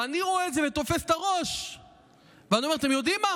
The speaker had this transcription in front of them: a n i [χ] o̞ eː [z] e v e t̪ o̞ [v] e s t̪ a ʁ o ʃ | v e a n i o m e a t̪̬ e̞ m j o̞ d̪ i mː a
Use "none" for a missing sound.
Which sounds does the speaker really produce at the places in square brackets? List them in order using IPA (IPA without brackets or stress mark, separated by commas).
ʁ, z, f